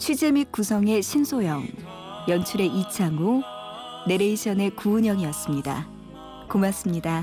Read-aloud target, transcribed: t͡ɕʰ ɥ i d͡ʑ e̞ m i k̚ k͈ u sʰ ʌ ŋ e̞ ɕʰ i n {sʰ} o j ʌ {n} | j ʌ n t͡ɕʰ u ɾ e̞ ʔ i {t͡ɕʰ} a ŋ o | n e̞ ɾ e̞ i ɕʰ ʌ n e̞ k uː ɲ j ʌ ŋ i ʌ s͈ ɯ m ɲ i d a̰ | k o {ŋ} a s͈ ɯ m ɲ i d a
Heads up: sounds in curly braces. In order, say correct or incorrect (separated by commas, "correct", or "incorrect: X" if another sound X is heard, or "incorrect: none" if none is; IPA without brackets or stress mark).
correct, incorrect: ŋ, correct, incorrect: m